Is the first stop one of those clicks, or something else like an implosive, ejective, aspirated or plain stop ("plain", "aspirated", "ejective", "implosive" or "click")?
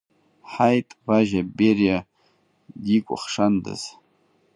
ejective